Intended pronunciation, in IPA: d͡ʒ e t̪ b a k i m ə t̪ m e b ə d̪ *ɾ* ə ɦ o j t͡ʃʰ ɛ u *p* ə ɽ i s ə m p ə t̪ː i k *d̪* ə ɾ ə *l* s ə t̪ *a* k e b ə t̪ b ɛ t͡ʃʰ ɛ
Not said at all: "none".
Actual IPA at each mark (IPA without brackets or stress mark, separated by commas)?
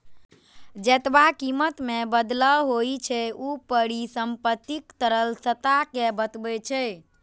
l, p, t̪, l, a